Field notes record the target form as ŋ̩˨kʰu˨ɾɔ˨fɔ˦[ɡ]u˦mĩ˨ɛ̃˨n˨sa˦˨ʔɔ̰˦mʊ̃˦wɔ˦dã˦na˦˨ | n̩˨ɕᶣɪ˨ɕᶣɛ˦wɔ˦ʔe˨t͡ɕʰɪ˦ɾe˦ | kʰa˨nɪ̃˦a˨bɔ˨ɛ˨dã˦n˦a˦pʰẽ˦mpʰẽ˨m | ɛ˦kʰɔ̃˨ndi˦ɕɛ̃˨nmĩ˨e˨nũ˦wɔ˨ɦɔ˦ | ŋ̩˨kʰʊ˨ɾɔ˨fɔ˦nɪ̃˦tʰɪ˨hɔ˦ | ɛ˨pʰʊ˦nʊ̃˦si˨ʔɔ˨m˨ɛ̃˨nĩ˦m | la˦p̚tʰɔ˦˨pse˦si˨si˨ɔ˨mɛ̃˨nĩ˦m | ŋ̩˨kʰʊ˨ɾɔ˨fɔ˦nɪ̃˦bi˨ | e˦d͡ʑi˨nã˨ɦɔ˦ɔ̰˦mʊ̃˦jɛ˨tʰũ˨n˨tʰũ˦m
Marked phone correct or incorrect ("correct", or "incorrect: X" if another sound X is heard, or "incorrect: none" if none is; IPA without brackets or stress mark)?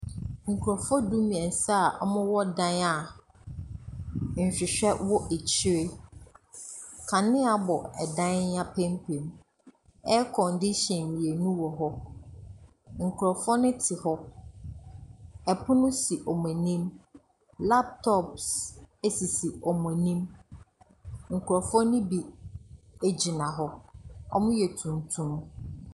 incorrect: d